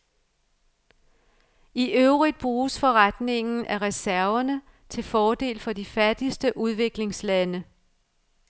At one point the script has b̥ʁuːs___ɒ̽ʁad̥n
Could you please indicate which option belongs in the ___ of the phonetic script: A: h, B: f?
B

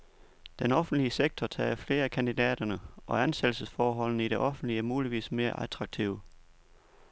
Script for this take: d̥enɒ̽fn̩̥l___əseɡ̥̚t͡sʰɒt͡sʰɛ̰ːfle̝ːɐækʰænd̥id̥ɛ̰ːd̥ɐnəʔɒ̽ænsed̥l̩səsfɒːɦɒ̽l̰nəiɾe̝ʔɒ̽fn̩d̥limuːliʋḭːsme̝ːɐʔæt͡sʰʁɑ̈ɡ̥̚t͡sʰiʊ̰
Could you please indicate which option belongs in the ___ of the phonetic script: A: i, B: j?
A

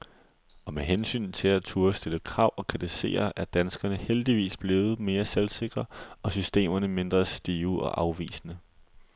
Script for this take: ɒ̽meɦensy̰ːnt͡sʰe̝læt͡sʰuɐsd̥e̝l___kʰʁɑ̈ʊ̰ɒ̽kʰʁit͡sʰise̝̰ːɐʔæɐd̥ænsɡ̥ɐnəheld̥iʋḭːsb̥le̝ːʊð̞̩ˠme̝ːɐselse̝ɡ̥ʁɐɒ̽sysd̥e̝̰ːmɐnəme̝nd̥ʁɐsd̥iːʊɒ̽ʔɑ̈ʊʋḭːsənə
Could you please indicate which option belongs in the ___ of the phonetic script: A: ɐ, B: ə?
B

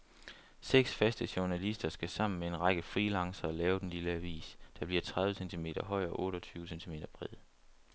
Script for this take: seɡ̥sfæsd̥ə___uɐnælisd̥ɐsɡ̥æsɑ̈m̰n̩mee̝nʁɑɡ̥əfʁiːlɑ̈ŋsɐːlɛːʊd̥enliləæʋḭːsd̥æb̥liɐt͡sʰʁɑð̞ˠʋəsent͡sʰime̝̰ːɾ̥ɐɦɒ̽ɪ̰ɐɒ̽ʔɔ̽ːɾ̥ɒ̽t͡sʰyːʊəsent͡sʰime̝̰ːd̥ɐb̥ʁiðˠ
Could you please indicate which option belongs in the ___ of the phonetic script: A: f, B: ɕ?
B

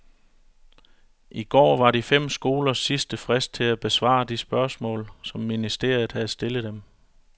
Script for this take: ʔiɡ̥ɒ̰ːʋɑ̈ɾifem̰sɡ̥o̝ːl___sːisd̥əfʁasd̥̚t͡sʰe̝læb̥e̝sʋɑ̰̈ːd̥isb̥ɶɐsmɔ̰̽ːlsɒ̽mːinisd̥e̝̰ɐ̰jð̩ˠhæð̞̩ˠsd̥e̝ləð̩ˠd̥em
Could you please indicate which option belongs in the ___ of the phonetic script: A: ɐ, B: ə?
A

